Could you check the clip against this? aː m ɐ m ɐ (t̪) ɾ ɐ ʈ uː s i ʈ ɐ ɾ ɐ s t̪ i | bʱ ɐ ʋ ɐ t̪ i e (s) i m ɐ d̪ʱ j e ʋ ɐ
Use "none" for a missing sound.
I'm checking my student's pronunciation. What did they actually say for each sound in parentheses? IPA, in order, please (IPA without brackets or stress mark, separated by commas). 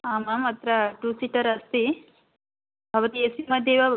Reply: t̪, s